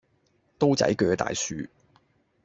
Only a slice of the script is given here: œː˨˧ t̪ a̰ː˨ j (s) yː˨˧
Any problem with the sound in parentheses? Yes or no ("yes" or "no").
no